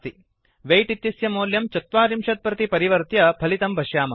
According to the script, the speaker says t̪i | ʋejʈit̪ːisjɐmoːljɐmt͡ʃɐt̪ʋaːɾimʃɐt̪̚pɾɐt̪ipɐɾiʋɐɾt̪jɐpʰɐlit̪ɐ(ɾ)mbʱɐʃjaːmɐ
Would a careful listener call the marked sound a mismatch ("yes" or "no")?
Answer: yes